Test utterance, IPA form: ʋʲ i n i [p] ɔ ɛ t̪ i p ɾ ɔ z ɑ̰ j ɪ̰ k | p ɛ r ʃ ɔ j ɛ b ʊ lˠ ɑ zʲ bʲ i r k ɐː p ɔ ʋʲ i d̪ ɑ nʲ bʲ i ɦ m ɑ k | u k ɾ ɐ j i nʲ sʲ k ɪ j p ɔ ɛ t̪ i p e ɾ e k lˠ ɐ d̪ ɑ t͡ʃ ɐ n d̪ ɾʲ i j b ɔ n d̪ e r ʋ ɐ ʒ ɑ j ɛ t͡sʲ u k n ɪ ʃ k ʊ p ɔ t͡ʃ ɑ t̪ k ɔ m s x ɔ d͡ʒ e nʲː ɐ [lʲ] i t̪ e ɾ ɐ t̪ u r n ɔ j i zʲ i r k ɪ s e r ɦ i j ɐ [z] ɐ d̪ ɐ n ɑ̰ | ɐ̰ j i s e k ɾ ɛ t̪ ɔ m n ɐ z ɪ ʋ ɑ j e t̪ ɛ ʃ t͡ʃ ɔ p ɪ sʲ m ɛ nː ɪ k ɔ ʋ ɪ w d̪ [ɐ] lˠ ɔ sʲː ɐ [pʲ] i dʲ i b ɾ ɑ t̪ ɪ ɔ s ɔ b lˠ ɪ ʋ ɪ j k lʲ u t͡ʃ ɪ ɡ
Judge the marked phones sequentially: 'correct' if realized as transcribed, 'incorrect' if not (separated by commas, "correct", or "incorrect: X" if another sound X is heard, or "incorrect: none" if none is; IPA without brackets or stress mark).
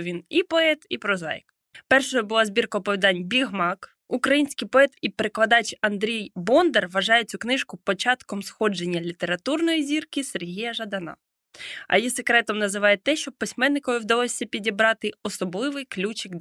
correct, correct, incorrect: ʒ, correct, correct